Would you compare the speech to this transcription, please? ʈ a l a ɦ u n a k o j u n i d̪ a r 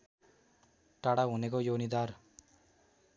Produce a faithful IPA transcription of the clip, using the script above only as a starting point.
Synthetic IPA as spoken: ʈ a ɽ a ɦ u n e k o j o n i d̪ a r